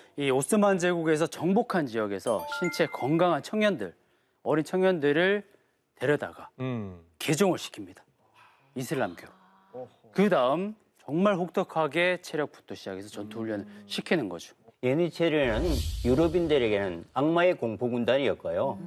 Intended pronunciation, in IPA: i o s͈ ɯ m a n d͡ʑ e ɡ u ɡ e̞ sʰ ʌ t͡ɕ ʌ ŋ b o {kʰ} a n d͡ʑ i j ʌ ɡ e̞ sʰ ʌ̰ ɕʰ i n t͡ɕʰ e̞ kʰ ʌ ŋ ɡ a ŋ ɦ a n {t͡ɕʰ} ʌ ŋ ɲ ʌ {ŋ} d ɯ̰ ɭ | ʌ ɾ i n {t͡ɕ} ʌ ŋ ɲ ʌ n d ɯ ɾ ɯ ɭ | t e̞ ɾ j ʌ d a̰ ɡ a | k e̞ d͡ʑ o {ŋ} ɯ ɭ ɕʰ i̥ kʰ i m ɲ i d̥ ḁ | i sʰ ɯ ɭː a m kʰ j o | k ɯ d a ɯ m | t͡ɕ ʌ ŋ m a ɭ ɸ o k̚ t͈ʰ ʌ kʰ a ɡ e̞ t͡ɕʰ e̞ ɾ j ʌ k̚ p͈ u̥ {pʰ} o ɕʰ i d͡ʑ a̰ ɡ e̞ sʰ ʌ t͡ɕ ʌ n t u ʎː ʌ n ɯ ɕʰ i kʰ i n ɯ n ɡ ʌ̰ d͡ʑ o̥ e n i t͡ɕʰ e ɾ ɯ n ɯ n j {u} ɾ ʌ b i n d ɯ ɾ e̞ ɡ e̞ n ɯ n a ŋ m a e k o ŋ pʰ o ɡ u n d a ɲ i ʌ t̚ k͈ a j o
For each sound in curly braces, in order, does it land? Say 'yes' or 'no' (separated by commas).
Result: yes, yes, no, no, yes, no, yes